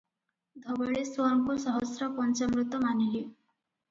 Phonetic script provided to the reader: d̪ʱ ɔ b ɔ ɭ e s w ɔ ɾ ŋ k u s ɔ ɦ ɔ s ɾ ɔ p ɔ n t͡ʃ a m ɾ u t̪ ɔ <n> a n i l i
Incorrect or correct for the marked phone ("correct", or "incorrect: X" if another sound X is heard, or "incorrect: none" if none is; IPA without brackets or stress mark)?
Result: incorrect: m